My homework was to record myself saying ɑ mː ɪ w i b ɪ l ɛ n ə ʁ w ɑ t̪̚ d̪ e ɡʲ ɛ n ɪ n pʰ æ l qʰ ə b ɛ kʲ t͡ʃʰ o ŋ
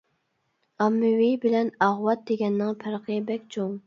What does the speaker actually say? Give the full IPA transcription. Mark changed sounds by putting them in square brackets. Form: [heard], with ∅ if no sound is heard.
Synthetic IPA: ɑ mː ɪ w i b ɪ l ɛ n [ɑ] ʁ w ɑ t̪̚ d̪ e ɡʲ ɛ [nː] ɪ [ŋ] pʰ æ [ɾ] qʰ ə b ɛ kʲ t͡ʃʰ o ŋ